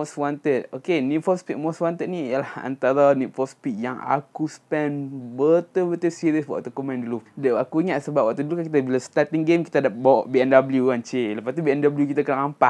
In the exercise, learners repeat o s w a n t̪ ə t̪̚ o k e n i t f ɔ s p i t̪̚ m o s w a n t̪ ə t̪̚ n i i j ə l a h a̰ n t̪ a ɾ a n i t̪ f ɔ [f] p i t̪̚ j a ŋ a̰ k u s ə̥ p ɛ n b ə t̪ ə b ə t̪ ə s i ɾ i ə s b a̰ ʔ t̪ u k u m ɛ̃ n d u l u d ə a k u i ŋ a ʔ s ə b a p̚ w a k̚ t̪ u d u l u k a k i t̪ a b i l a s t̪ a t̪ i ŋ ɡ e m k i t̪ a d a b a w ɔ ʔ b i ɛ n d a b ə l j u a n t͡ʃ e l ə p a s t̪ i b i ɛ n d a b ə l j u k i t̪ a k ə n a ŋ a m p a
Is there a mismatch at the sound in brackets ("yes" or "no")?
yes